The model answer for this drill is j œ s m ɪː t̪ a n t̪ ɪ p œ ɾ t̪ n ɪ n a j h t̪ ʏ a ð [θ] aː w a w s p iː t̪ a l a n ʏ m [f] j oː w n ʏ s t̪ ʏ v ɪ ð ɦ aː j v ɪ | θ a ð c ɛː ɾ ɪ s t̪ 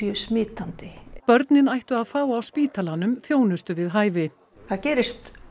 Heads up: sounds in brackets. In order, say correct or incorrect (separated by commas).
incorrect, incorrect